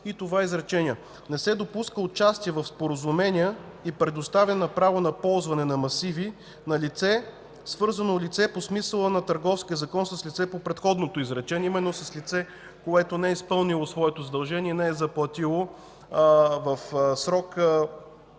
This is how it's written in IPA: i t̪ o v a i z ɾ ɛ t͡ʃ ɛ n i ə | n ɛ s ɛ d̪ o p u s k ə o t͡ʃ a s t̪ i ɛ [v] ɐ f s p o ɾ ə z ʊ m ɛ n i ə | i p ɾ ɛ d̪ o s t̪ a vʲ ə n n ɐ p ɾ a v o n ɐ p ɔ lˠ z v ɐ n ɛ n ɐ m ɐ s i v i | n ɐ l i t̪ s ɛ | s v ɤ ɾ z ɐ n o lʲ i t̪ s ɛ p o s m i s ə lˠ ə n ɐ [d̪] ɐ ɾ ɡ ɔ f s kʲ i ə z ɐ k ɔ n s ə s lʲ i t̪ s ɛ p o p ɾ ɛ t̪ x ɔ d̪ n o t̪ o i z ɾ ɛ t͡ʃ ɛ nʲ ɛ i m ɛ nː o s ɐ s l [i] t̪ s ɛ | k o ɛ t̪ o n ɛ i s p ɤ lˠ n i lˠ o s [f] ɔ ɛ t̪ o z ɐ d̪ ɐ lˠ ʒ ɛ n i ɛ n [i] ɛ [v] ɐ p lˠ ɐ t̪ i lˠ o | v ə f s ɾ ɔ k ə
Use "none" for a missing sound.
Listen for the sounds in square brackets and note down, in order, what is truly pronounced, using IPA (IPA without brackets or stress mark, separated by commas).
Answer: v, t̪, i, v, ɛ, z